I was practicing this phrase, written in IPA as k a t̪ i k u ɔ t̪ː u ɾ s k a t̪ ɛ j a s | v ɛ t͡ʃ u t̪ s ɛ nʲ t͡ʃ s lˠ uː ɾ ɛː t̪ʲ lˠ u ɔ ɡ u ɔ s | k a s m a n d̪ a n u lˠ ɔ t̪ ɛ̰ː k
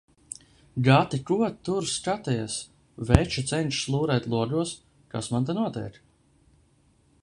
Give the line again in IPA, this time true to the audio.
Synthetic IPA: ɡ a t̪ i k u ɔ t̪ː u ɾ s k a t̪ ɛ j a s | v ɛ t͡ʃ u t̪ s ɛ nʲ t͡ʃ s lˠ uː ɾ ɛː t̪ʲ lˠ u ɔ ɡ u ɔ s | k a s m a n t̪ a n u ɔ t̪ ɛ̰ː k